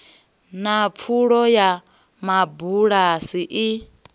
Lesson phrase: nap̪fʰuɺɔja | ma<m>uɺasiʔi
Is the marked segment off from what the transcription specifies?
yes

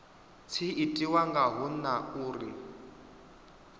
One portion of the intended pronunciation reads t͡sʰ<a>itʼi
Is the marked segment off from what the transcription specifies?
yes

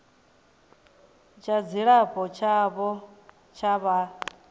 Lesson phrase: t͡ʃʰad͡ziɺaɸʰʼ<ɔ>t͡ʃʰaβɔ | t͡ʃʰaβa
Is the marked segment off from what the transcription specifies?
no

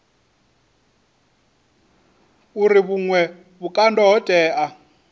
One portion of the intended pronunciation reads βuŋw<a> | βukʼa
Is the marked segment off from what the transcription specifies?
yes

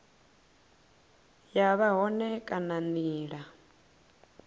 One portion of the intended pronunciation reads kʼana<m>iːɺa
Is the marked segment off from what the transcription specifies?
yes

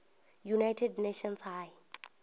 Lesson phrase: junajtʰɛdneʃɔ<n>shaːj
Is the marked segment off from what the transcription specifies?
no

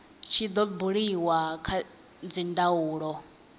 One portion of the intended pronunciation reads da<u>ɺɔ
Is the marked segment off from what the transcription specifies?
yes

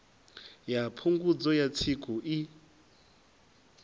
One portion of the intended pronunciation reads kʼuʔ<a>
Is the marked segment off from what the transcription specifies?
yes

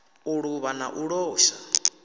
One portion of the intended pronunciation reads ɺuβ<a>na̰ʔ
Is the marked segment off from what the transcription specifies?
no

